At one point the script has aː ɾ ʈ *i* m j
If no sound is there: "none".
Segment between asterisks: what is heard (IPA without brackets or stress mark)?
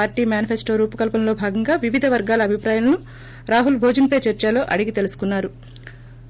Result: iː